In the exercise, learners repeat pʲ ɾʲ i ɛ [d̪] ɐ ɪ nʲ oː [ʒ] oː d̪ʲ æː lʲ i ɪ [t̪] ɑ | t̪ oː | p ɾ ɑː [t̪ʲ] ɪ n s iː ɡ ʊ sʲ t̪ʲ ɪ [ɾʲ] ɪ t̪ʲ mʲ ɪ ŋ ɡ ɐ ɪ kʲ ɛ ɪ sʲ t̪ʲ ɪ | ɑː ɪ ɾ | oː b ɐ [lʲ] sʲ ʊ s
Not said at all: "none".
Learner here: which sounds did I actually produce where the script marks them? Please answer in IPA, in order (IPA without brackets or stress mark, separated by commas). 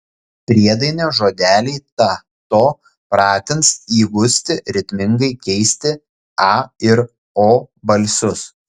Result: d̪, ʒ, t̪, t̪ʲ, ɾʲ, lʲ